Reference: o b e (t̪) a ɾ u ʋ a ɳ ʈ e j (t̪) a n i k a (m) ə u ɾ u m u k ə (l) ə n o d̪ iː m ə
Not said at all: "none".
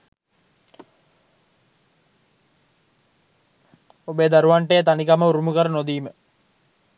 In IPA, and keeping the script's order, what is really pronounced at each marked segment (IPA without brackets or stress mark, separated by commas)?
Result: d̪, t̪, m, ɾ